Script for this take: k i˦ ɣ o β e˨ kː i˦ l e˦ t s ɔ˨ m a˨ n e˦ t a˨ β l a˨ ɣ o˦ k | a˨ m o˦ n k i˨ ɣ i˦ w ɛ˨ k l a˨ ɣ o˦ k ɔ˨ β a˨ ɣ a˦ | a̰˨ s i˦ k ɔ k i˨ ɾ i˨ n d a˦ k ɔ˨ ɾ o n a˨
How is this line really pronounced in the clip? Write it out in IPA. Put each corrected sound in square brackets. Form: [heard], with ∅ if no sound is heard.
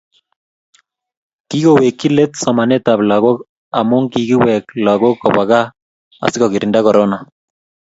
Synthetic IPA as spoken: k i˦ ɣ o [w] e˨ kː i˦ l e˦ t s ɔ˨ m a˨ n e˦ t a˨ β l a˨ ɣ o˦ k | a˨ m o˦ [ŋ] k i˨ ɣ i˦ w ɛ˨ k l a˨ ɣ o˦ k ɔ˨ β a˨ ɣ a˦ | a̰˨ s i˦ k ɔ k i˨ ɾ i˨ n d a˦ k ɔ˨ ɾ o n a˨